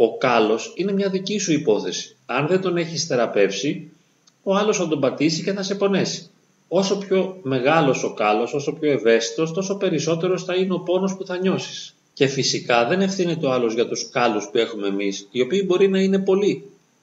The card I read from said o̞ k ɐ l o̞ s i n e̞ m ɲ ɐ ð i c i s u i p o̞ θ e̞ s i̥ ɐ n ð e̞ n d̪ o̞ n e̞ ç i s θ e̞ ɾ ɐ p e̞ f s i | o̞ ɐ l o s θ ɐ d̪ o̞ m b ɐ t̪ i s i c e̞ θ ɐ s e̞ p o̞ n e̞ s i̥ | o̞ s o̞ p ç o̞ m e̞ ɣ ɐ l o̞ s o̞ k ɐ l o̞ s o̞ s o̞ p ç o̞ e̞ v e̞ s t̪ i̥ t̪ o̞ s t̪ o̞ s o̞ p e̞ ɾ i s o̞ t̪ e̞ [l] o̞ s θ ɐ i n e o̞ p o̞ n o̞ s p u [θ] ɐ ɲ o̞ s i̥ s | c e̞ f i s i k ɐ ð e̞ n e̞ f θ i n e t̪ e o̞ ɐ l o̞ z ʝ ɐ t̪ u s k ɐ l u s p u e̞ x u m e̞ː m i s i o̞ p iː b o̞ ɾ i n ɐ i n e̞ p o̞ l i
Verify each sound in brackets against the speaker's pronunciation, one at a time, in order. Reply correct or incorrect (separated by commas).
incorrect, correct